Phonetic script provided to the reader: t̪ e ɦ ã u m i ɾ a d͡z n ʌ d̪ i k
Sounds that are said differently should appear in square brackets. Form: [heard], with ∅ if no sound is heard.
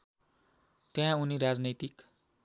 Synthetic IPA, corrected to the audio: t̪ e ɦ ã u [n] i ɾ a d͡z n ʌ [t̪] i k